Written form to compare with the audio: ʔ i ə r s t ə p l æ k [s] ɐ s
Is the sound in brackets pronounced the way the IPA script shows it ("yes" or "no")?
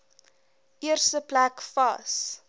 no